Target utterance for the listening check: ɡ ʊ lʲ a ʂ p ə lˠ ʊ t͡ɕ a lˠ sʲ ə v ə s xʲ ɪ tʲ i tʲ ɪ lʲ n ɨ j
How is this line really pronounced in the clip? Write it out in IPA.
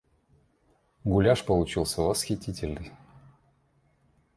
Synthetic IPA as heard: ɡ ʊ lʲ a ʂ p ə lˠ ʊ t͡ɕ i lˠ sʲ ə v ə s xʲ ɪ tʲ i tʲ ɪ lʲ n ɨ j